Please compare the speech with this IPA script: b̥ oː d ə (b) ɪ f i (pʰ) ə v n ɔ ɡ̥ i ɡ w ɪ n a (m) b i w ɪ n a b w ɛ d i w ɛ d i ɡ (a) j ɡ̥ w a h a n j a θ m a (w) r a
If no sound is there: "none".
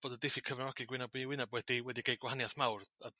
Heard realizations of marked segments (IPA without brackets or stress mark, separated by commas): d, kʰ, none, e, w